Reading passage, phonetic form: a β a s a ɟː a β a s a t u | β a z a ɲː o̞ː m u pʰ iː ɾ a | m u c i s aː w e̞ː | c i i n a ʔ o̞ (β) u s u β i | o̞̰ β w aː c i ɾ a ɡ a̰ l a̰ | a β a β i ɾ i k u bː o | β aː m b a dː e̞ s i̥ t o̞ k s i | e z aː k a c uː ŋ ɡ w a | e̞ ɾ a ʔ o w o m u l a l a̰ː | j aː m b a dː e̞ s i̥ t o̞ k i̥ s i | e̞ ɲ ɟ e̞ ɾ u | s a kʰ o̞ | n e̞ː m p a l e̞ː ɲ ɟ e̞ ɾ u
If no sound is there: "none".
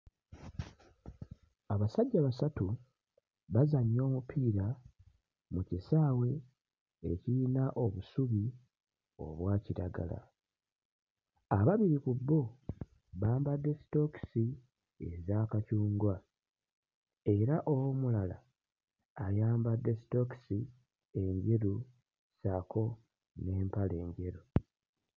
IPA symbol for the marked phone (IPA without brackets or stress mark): β